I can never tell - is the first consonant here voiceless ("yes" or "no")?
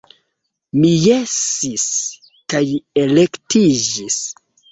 no